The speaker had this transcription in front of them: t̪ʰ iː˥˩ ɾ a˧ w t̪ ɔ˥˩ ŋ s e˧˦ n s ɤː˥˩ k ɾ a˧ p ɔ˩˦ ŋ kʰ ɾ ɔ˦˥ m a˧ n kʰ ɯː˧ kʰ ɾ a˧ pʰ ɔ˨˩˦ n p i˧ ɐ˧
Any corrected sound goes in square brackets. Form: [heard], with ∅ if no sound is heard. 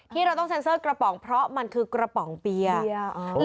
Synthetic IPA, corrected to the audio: t̪ʰ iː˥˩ ɾ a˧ w t̪ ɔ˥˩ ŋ s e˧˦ n s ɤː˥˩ k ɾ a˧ p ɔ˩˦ ŋ [pʰ] ɾ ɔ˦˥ m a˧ n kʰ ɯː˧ [k] ɾ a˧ [p] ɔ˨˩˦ [ŋ] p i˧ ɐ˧